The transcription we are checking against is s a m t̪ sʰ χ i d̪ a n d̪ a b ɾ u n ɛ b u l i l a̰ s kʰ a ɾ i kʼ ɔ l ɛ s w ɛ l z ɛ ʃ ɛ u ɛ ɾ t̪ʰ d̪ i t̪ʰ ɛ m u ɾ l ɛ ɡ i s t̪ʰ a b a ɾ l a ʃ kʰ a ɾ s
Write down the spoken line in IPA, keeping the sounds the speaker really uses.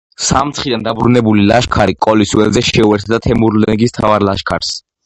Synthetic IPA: s a m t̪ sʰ χ i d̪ a n d̪ a b ɾ u n ɛ b u l i l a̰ ʃ kʰ a ɾ i kʼ ɔ l i s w ɛ l z ɛ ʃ ɛ u ɛ ɾ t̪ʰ d̪ a t̪ʰ ɛ m u ɾ l ɛ ɡ i s t̪ʰ a v a ɾ l a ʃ kʰ a ɾ s